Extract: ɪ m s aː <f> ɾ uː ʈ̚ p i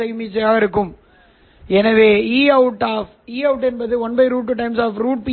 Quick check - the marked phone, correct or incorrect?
correct